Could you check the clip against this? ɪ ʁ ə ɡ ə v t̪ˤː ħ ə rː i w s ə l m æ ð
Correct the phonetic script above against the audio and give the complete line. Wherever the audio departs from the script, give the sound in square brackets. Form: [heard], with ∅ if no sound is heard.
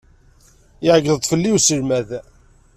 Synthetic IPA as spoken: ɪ [ʕ] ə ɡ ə [ð] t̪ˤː [f] ə [lː] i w s ə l m æ ð